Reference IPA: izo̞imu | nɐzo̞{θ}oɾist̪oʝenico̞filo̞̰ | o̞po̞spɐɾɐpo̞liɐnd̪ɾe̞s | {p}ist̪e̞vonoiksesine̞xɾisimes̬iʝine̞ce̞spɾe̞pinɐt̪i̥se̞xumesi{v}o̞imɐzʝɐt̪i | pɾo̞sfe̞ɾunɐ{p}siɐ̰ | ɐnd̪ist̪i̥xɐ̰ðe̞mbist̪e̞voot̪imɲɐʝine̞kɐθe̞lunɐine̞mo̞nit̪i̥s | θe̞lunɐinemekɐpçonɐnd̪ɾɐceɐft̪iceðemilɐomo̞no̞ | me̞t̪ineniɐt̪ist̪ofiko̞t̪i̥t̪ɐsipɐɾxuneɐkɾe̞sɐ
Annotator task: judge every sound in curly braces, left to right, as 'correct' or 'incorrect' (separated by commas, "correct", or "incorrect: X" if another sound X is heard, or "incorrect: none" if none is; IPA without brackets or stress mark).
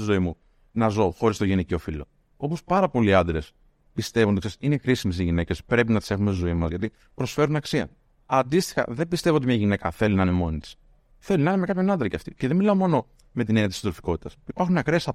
incorrect: x, correct, incorrect: z, incorrect: k